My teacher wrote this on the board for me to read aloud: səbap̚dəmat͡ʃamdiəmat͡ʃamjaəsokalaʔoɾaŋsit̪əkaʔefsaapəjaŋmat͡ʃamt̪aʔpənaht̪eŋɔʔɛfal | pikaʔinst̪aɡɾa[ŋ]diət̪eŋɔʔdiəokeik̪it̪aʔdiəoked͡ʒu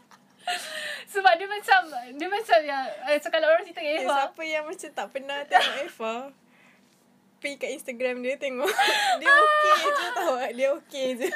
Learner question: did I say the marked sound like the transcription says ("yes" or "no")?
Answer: no